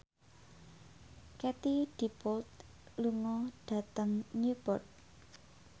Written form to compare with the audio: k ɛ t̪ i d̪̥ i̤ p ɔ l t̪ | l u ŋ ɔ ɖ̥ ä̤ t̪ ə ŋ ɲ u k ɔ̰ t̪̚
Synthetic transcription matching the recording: k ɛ t̪ i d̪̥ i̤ p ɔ l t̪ | l u ŋ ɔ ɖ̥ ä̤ t̪ ə ŋ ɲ u p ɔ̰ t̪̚